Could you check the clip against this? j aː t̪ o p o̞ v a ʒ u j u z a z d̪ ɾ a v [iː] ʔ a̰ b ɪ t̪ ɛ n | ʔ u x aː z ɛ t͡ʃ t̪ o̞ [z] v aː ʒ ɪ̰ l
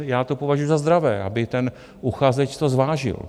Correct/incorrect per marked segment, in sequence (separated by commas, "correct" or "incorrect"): incorrect, correct